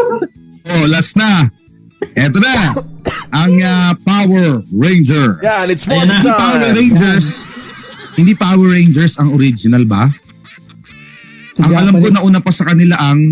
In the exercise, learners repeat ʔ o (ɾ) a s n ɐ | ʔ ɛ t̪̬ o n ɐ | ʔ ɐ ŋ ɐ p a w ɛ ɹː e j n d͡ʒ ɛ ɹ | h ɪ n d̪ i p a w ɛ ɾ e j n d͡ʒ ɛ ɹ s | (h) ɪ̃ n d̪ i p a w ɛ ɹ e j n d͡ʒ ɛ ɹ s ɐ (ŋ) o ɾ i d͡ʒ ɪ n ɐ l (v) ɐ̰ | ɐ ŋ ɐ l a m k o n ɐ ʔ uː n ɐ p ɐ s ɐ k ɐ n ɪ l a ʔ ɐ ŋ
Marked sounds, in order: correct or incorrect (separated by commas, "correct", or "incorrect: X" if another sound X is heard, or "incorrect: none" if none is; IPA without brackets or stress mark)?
incorrect: l, correct, correct, incorrect: b